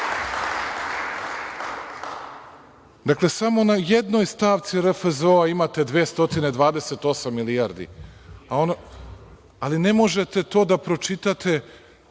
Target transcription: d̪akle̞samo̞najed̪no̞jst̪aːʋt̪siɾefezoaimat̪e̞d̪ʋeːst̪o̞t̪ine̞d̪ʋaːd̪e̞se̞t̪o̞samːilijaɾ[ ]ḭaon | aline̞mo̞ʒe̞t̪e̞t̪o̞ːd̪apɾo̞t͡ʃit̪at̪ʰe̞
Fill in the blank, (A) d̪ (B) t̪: A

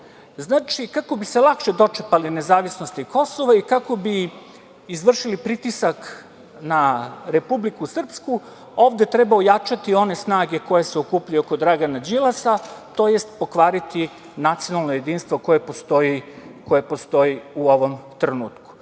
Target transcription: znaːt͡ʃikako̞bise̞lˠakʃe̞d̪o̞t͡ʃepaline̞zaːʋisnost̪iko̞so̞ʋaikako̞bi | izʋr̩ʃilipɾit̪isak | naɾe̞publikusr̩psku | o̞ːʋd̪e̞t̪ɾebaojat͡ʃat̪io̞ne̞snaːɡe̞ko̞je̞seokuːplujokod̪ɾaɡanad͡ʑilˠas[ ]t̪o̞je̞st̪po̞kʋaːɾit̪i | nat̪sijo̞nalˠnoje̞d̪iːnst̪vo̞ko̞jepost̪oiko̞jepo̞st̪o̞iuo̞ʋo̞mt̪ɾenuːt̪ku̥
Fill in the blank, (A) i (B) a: B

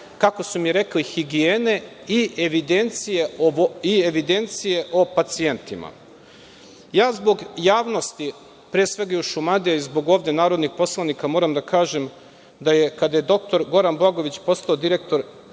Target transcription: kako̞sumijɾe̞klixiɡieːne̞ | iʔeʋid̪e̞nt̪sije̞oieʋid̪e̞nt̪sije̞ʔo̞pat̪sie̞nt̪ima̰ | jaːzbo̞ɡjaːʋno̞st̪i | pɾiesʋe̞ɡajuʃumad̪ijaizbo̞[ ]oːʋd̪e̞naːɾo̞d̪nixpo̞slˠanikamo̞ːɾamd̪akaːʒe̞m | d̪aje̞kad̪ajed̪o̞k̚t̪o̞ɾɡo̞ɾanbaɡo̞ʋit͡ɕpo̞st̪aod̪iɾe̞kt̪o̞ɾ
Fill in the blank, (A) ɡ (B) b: A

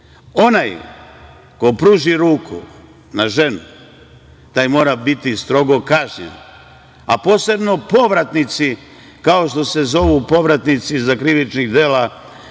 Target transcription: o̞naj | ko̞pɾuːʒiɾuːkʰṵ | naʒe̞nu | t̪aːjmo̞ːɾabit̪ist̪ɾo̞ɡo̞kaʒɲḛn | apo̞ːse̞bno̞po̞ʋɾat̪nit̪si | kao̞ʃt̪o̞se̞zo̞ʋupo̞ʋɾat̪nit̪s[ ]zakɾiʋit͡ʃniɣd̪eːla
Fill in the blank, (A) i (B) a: A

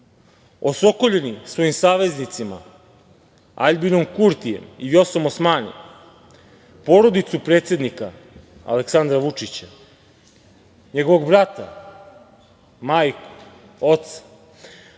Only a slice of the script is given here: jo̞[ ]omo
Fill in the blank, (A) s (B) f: A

